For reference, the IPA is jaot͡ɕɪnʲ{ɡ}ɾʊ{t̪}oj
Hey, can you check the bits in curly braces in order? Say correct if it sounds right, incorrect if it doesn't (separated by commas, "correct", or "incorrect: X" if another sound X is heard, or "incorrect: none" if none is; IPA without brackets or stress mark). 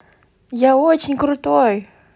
incorrect: k, correct